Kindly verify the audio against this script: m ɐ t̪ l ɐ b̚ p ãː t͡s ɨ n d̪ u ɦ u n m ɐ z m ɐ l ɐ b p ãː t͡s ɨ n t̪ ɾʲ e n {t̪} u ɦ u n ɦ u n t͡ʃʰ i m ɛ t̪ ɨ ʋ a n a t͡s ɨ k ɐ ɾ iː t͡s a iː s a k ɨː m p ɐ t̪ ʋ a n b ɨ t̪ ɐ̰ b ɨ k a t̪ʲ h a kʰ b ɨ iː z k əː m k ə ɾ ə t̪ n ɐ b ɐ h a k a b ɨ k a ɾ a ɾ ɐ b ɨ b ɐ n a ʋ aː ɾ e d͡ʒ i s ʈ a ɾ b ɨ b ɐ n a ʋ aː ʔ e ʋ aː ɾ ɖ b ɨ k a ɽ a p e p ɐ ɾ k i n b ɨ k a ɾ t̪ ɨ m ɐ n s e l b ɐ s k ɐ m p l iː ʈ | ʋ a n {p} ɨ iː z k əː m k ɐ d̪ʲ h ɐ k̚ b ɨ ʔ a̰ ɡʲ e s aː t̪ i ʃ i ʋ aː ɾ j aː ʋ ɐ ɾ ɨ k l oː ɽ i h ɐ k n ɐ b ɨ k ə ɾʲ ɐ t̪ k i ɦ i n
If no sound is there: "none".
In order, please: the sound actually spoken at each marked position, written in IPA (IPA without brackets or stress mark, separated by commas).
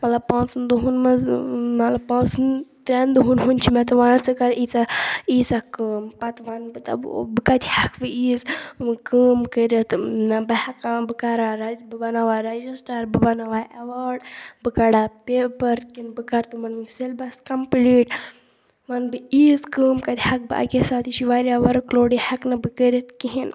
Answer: d̪, b